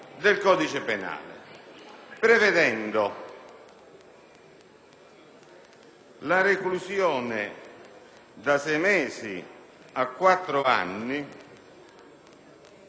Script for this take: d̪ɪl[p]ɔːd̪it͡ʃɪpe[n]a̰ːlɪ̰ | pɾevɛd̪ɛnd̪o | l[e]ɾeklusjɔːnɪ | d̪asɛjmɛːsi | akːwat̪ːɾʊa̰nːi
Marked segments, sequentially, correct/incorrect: incorrect, correct, incorrect

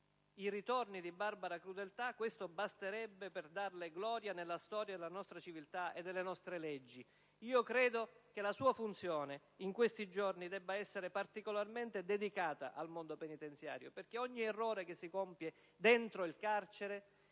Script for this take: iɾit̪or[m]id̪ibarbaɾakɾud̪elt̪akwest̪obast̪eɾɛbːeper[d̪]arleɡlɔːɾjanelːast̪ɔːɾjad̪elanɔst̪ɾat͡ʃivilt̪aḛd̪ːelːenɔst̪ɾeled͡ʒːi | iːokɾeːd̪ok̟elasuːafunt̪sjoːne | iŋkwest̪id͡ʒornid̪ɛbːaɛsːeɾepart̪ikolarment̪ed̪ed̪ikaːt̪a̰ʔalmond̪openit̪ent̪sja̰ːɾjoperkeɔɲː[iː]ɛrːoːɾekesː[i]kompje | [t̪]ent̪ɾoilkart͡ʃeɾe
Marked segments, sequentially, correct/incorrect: incorrect, correct, incorrect, correct, incorrect

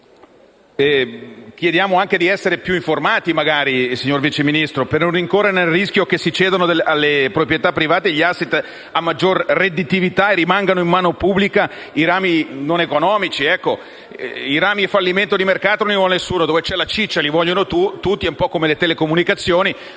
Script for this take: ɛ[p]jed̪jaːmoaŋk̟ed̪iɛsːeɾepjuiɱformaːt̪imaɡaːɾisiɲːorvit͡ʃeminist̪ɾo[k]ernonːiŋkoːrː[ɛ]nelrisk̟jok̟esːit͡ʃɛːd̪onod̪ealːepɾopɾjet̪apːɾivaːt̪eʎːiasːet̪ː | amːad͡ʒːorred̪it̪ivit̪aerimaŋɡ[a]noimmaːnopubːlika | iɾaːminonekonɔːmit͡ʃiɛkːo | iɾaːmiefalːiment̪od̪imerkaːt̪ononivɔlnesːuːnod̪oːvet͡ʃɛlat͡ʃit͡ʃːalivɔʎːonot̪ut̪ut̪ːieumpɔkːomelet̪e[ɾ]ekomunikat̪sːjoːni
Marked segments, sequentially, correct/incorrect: incorrect, incorrect, incorrect, correct, incorrect

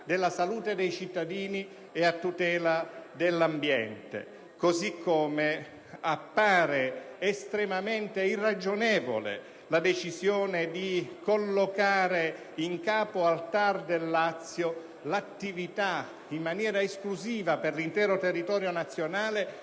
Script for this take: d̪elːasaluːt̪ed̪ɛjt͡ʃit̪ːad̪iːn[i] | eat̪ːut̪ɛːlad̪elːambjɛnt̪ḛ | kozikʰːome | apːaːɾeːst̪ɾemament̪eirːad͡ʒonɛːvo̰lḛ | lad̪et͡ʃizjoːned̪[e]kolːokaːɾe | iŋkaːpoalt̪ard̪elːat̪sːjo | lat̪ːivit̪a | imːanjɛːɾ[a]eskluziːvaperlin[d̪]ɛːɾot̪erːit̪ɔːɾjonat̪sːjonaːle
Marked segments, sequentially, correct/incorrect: correct, incorrect, correct, incorrect

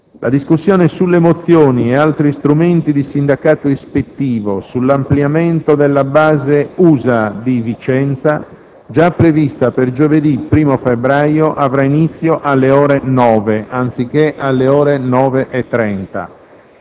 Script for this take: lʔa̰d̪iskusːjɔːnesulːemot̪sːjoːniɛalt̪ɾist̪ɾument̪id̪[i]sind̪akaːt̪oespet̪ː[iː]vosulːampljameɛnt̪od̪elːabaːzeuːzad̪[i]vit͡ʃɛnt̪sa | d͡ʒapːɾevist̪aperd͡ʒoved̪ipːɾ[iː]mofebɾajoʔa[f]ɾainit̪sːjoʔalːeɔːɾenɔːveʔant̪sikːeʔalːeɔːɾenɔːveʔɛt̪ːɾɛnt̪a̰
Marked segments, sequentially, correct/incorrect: correct, correct, correct, correct, incorrect

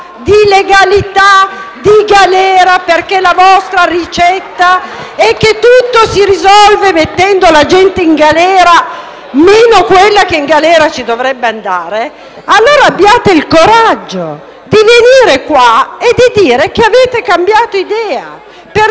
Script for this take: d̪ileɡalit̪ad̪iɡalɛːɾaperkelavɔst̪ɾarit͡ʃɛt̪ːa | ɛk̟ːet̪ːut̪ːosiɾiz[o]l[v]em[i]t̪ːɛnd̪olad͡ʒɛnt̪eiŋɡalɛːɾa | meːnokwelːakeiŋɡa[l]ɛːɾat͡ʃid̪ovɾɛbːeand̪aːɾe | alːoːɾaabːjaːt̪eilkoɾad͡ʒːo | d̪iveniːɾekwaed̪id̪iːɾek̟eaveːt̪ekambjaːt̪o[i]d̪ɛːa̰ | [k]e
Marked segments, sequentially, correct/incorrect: incorrect, correct, incorrect, correct, correct, incorrect

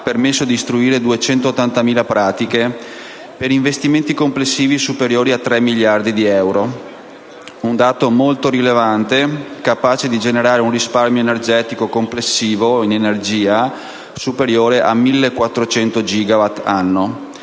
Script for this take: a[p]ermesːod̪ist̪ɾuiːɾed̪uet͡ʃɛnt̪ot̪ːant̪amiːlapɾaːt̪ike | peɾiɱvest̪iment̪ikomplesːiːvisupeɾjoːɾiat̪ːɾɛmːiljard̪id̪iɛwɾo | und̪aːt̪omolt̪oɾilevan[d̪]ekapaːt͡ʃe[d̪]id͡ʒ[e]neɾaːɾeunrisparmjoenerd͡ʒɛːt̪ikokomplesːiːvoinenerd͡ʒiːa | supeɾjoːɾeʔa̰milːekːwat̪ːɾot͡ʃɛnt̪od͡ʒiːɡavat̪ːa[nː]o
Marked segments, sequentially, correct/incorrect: correct, incorrect, correct, correct, correct

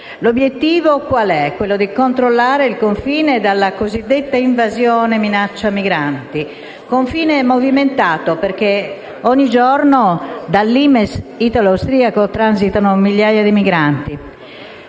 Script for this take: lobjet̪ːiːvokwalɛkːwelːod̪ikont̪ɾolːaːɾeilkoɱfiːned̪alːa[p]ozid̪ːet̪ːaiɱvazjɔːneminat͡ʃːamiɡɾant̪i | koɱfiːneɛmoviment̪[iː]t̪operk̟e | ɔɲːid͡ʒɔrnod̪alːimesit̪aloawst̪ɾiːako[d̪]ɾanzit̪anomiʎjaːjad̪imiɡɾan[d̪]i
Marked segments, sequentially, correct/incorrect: incorrect, incorrect, incorrect, incorrect

